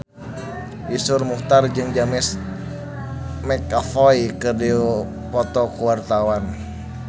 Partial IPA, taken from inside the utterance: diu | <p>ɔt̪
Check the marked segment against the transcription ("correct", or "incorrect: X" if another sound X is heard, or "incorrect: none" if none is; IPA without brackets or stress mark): correct